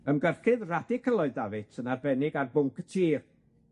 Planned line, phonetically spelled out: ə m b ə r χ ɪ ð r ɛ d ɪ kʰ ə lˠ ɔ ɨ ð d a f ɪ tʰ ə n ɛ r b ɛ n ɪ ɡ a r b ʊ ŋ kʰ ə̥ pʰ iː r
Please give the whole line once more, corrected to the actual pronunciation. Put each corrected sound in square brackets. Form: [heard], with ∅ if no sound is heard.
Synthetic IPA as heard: ə m [ɡ] ə r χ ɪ ð r [a] d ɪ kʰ ə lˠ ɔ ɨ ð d a [v] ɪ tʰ ə n [a] r b ɛ n ɪ ɡ a r b ʊ ŋ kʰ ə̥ [tʰ] iː r